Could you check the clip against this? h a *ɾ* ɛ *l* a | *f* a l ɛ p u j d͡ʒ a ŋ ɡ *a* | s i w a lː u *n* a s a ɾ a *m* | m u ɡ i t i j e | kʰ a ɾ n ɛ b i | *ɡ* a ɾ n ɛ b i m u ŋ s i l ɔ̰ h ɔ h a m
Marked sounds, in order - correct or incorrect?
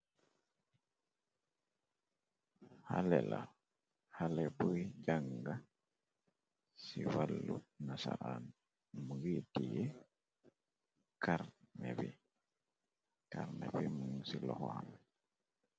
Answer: incorrect, correct, incorrect, correct, correct, incorrect, incorrect

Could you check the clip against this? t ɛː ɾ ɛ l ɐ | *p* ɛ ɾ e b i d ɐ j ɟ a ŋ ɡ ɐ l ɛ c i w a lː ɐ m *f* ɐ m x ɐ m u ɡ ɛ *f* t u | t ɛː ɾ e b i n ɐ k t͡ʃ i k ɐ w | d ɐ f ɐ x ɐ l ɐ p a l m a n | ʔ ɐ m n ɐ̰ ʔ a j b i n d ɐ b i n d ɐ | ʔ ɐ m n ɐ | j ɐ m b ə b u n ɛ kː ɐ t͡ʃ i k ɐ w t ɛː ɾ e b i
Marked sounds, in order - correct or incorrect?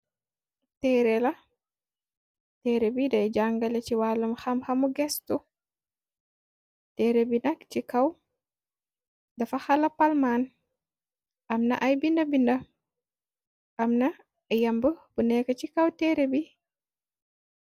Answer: incorrect, incorrect, incorrect

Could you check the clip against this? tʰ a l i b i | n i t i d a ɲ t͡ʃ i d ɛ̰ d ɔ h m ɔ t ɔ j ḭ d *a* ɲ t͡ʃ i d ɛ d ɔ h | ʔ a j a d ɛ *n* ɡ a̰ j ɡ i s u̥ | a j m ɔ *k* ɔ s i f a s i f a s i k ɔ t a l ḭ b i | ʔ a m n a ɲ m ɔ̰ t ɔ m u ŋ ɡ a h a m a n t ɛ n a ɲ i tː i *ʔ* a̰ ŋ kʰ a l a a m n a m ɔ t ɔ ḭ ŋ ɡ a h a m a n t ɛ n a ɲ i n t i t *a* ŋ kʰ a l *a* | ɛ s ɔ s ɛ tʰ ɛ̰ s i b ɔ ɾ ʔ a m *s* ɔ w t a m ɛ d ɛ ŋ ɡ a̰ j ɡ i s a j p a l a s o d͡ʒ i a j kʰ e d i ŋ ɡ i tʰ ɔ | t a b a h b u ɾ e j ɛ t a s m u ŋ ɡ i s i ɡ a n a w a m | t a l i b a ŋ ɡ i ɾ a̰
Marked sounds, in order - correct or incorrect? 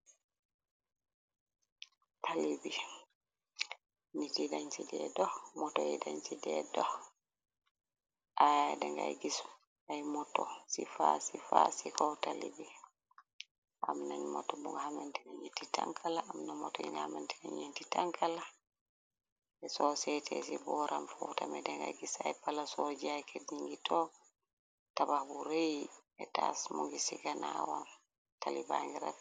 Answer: correct, incorrect, incorrect, incorrect, correct, correct, incorrect

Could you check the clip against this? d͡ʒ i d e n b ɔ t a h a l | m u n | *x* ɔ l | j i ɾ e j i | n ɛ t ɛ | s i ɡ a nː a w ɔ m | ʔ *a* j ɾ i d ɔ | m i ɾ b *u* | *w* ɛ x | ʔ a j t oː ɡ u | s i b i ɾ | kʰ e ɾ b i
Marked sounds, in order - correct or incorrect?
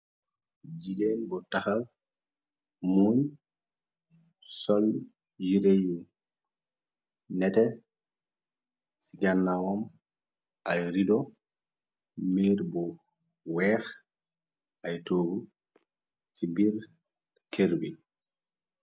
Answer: incorrect, correct, incorrect, correct

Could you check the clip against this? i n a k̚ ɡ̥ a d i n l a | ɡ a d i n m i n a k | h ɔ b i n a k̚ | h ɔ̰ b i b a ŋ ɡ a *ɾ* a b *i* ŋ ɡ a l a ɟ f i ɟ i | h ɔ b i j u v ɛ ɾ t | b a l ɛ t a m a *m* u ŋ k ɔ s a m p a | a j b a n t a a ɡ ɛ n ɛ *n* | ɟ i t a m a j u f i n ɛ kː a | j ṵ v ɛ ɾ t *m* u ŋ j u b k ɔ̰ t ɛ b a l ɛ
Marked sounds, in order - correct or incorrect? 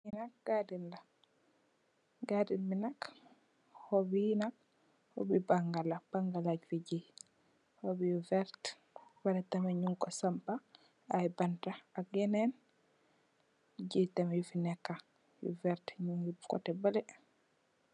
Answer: incorrect, incorrect, incorrect, correct, incorrect

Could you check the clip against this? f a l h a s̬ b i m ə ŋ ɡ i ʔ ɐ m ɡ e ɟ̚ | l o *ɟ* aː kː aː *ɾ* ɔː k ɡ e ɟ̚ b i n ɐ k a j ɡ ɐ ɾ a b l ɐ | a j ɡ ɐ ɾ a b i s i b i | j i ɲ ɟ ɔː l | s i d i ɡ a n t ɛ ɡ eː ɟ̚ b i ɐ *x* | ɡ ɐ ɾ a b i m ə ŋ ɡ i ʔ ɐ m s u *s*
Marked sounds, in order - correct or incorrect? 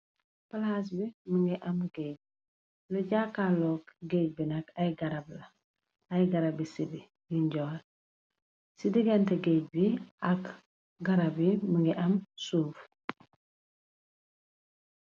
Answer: correct, incorrect, incorrect, incorrect

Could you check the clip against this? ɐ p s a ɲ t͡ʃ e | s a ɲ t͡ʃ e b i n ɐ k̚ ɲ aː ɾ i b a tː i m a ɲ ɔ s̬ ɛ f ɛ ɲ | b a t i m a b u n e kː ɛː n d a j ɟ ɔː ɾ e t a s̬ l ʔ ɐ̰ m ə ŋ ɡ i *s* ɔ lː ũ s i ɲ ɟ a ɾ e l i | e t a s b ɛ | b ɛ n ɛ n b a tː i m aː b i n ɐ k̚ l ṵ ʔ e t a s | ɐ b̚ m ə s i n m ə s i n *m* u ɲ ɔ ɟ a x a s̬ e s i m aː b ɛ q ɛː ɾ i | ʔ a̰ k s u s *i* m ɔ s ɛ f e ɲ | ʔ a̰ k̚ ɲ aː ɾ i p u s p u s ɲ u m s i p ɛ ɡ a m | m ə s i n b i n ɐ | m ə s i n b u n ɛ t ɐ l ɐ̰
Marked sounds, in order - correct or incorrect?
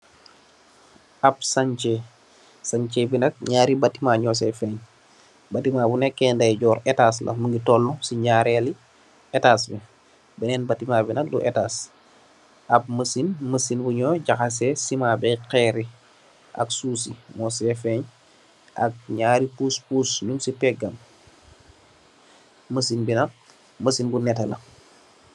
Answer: incorrect, incorrect, correct

